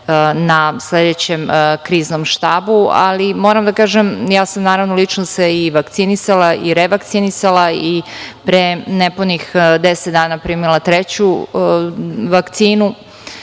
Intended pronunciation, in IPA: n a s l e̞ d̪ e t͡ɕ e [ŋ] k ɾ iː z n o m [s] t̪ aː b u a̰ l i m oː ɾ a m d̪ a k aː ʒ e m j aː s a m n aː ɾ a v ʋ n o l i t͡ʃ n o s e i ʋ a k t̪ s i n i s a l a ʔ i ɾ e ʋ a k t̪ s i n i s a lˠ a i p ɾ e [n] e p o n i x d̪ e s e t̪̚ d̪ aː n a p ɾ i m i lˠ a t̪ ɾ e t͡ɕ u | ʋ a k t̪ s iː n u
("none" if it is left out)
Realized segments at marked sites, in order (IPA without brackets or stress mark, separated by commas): m, ʃ, n